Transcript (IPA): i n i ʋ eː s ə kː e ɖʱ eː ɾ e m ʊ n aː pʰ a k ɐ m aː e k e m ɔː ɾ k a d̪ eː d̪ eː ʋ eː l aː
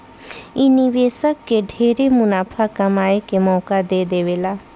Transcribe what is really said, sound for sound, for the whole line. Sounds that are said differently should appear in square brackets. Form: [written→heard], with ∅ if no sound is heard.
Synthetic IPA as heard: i n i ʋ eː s ə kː e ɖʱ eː ɾ e m ʊ n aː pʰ a k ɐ m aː e k e m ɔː [ɾ→∅] k a d̪ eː d̪ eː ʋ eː l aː